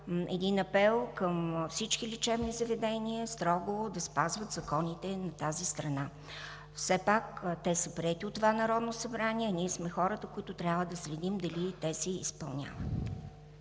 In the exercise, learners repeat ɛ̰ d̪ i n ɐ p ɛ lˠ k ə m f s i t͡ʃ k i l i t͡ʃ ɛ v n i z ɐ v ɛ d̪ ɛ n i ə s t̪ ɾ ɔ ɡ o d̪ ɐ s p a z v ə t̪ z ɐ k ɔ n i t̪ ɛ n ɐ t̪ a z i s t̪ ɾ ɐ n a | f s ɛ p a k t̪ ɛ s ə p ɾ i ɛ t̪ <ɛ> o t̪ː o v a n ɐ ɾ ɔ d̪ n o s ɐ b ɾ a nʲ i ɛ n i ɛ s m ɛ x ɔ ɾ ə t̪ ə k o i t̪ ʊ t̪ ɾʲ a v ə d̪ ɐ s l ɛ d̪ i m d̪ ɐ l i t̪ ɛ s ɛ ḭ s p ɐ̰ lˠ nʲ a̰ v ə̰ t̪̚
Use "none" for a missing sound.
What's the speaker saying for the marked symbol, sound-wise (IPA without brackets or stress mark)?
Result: i